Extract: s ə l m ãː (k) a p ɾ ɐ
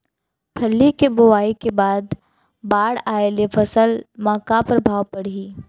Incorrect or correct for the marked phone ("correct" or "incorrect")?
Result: correct